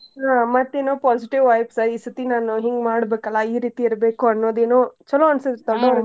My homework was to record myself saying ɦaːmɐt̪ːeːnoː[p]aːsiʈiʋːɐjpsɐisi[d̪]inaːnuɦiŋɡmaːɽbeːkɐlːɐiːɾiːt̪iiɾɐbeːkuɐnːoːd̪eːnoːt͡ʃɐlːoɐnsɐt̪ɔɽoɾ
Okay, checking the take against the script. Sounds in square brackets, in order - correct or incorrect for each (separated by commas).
correct, incorrect